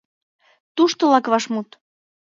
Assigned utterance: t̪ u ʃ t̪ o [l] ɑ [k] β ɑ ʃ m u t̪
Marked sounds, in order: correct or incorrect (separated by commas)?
correct, correct